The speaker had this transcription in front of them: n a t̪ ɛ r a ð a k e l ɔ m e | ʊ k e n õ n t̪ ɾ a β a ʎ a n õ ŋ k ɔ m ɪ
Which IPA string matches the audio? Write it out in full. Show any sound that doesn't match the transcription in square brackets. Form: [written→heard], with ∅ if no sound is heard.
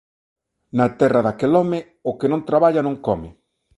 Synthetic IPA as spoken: n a t̪ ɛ r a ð a k e l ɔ m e | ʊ k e n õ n t̪ ɾ a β a ʎ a n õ ŋ k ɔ m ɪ